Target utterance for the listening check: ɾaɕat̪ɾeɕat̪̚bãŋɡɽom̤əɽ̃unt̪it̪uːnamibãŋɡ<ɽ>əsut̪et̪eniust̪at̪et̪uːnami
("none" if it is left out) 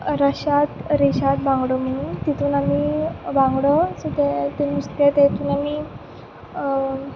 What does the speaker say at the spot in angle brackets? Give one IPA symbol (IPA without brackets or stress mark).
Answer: ɽ